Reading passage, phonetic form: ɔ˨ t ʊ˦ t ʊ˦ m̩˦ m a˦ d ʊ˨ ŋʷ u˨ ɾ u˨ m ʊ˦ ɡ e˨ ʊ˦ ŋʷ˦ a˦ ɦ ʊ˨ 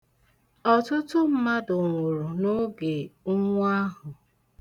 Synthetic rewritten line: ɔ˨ t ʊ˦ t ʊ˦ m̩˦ m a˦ d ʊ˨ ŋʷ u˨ ɾ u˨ n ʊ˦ ɡ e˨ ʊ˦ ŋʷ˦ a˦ ɦ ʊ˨